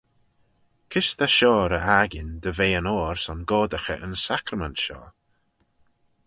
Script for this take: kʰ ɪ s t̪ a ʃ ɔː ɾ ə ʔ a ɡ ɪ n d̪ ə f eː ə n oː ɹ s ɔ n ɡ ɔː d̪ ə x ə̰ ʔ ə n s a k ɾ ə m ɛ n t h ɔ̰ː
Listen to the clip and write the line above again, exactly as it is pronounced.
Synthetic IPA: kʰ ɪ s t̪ a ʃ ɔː ɾ ə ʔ a ɡ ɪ n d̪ ə v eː ə n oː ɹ s ɔ n ɡ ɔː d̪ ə x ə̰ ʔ ə n s a k ɾ ə m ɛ n t ʃ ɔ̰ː

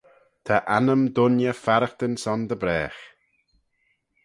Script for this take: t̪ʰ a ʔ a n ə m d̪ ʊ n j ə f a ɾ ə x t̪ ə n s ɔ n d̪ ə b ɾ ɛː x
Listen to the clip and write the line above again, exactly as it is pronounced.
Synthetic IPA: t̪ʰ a ʔ a n ə m d̪ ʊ n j ə f a ɾ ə x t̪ ə n s ɔ n d̪ ə b ɾ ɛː x

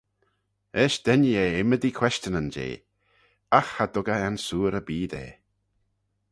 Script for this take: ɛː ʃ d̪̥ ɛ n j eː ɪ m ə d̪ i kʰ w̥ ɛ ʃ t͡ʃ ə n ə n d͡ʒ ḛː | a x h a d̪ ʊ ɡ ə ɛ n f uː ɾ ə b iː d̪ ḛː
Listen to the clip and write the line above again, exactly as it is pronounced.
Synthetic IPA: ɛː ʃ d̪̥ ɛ n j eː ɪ m ə d̪ i kʰ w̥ ɛ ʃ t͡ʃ ə n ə n d͡ʒ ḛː | a x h a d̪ ʊ ɡ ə ɛ n s uː ɾ ə b iː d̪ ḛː

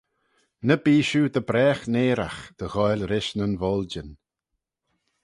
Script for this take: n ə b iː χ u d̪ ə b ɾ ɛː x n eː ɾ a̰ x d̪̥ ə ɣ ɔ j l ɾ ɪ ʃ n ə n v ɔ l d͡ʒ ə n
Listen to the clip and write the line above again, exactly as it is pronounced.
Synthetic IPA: n ə b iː ʃ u d̪ ə b ɾ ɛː x n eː ɾ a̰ x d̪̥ ə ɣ ɔ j l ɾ ɪ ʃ n ə n v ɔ l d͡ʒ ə n

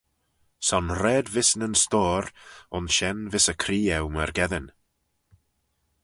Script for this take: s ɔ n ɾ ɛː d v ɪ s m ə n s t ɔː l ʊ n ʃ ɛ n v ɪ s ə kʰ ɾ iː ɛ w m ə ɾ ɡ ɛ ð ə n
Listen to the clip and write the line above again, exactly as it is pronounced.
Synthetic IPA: s ɔ n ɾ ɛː d v ɪ s n ə n s t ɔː ɾ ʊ n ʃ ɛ n v ɪ s ə kʰ ɾ iː ɛ w m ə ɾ ɡ ɛ ð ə n

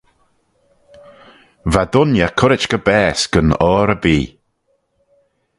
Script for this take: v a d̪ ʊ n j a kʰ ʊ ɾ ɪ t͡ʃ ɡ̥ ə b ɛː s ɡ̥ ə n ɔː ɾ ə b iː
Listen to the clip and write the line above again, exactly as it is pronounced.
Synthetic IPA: v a d̪ ʊ n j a kʰ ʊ ɾ ɪ t͡ʃ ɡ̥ ə b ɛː s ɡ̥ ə n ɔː ɾ ə b iː

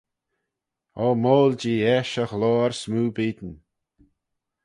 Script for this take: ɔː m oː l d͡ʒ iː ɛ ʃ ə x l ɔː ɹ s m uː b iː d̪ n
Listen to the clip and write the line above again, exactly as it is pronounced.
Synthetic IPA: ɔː m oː l d͡ʒ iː ɛ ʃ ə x l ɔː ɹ s m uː b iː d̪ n

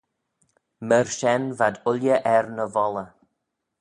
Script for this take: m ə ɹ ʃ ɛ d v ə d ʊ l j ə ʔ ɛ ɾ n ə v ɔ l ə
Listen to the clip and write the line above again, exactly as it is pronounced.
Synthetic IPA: m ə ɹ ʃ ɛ n v a d ʊ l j ə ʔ ɛ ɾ n ə v ɔ l ə

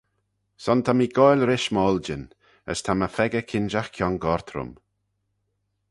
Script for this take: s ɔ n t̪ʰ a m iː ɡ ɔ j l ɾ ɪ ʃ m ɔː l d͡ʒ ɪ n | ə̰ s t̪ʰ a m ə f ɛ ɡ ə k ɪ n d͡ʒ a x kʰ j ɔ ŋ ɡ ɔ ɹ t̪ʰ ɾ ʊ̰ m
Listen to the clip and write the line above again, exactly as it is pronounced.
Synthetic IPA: s ɔ n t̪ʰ a m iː ɡ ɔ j l ɾ ɪ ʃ m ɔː l d͡ʒ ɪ n | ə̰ s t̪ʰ a m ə f ɛ ɡ ə kʰ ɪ n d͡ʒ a x kʰ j ɔ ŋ ɡ ɔ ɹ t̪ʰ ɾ ʊ̰ m

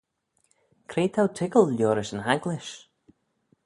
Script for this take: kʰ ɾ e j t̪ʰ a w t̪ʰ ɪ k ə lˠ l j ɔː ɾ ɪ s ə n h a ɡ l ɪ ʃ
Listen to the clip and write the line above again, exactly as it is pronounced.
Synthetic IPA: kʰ ɾ e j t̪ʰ a w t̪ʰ ɪ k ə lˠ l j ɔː ɾ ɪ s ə n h a ɡ l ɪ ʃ

